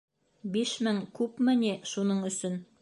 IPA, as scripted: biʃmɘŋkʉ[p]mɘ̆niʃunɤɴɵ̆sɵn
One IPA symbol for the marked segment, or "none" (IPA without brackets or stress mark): p